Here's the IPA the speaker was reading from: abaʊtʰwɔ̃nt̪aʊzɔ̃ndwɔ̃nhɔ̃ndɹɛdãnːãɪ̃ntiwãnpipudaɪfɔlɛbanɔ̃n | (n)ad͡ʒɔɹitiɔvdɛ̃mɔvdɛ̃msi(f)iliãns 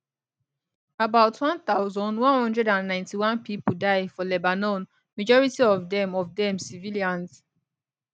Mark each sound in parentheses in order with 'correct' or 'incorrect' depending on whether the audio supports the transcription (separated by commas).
incorrect, incorrect